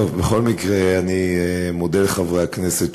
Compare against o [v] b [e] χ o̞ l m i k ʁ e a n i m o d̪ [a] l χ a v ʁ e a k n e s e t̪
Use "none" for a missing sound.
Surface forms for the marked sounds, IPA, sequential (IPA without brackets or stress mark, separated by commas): v, e, e